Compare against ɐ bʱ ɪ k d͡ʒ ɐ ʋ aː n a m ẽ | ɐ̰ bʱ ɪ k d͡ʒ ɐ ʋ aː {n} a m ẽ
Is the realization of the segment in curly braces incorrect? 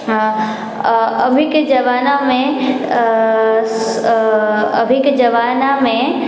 no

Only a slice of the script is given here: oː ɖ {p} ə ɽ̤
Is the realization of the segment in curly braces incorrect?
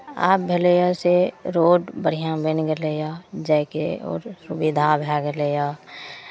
yes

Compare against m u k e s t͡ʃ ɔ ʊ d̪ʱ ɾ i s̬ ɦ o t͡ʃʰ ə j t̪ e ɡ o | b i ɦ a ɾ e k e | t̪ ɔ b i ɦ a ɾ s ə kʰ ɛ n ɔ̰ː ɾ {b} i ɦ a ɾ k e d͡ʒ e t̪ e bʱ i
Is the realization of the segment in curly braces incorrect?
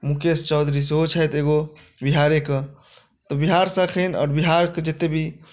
no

